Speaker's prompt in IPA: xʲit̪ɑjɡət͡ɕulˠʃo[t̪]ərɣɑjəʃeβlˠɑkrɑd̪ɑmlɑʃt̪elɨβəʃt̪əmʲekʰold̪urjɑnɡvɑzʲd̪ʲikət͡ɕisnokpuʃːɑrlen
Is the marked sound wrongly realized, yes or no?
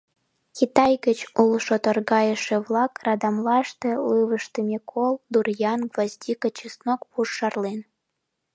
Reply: no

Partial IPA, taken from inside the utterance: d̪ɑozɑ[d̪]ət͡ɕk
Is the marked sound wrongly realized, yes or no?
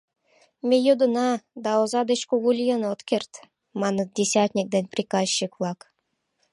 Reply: no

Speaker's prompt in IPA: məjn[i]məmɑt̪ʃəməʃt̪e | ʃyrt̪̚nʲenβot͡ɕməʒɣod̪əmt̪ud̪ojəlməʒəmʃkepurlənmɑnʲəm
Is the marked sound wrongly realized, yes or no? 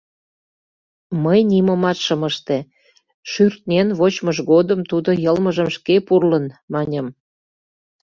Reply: no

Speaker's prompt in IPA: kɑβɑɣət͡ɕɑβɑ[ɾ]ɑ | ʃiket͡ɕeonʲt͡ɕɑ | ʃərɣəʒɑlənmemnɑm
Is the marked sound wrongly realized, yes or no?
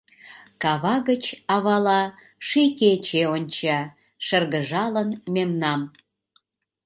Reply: yes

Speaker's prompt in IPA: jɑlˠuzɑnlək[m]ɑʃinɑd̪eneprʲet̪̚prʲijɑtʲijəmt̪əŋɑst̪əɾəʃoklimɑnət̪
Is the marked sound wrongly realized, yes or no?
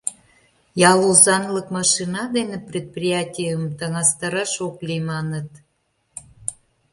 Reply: no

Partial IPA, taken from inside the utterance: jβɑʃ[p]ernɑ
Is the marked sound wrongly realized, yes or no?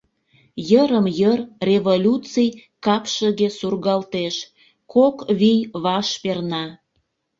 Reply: no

